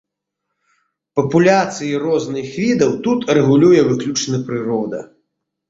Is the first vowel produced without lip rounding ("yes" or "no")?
yes